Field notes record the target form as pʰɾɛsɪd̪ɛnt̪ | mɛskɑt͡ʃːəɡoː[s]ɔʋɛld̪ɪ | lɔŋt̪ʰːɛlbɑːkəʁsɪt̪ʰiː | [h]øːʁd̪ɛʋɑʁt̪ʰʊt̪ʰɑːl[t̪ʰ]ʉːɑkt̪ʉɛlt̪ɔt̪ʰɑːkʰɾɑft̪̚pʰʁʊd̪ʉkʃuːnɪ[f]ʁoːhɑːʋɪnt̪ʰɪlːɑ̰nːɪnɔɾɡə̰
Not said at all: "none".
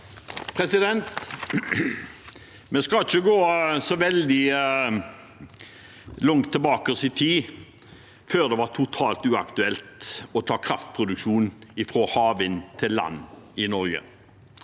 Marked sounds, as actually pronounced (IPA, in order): s, f, t̪, f

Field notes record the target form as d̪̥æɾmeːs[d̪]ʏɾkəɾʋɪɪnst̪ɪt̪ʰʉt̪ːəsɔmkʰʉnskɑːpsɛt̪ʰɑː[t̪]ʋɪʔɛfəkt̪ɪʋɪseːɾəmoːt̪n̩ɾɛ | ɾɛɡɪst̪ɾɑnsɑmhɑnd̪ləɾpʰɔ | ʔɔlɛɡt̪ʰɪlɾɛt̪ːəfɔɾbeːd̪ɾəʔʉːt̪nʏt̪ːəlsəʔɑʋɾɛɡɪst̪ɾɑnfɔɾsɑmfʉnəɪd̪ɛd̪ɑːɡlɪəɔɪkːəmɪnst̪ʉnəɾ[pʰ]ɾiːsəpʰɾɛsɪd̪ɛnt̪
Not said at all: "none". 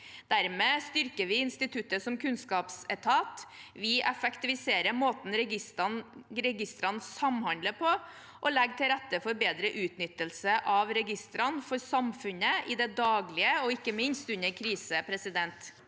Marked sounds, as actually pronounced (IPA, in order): t̪, t̪, kʰ

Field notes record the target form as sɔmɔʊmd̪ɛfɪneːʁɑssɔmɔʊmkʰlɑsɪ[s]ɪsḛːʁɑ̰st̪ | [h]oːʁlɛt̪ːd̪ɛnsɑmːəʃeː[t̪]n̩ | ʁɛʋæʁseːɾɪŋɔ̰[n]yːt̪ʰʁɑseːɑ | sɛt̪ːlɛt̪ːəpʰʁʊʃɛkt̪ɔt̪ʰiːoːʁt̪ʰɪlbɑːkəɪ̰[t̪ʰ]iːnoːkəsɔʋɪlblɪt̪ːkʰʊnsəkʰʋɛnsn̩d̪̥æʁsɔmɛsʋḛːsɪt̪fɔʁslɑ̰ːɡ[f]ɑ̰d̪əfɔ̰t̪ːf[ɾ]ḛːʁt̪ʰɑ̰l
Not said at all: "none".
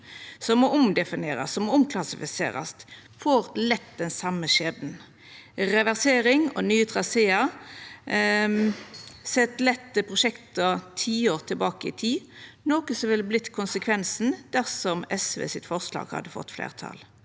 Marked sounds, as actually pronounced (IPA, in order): f, f, d̪, n, t̪ʰ, h, l

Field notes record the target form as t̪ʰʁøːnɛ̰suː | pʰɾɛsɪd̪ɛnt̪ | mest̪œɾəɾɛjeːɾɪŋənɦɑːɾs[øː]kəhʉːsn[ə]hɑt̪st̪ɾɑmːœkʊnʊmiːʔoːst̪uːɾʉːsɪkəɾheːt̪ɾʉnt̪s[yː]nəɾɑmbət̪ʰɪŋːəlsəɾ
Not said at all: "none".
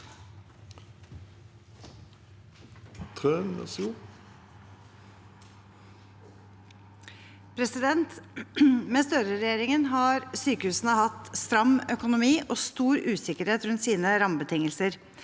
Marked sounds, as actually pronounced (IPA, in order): yː, ə, iː

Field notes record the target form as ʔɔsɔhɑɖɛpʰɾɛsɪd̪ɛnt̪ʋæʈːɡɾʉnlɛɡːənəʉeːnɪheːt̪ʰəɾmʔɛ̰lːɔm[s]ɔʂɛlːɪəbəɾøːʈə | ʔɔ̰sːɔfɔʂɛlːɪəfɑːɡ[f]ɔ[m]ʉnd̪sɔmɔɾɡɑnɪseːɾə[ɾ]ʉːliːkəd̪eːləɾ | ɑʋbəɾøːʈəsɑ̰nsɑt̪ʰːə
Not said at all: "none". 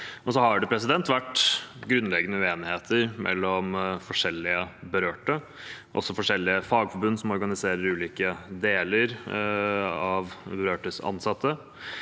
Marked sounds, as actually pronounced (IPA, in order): f, f, b, ɾ

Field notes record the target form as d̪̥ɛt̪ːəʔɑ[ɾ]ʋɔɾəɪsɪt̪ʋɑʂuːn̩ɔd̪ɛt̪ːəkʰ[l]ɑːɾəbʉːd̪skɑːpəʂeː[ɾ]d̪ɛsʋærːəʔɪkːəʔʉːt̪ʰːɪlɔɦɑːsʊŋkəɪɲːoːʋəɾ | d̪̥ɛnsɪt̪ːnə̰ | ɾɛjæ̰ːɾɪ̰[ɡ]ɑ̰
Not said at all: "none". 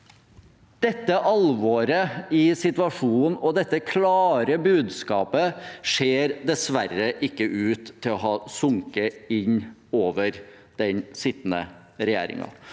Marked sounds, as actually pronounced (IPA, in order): l, l, ɾ, ŋ

